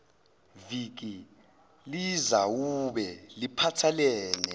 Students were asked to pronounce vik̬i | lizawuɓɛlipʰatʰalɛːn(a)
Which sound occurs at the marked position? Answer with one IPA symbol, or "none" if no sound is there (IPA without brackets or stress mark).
ɛ